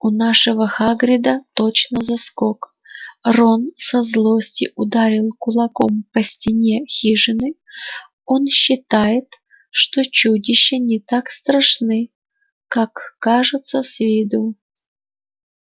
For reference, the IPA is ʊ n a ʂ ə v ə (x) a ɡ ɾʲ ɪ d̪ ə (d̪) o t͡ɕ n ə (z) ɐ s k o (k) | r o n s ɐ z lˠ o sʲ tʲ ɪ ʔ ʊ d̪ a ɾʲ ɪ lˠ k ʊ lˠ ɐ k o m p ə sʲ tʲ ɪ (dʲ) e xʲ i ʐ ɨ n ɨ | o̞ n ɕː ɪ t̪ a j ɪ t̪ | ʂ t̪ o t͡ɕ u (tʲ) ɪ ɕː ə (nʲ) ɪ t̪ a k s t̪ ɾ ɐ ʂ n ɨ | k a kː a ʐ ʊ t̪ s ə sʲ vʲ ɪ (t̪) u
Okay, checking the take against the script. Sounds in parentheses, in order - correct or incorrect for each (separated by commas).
correct, incorrect, correct, correct, incorrect, incorrect, correct, incorrect